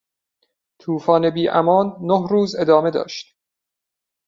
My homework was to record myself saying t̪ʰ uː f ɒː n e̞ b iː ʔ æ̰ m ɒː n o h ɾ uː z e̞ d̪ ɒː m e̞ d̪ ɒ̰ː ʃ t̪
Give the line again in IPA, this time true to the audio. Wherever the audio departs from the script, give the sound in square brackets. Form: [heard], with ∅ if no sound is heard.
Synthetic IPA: t̪ʰ uː f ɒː n e̞ b iː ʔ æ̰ m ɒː [nː] o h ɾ uː z e̞ d̪ ɒː m e̞ d̪ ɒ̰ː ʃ t̪